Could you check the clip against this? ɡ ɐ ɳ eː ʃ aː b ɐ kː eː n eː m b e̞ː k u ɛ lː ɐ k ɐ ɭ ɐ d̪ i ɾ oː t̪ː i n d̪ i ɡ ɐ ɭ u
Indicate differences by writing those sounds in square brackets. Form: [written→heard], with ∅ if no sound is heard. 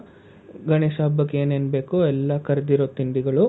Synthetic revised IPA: ɡ ɐ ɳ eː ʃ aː b ɐ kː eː n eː [m→n] b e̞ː k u ɛ lː ɐ k ɐ [ɭ→ɾ] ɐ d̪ i ɾ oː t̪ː i n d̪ i ɡ ɐ ɭ u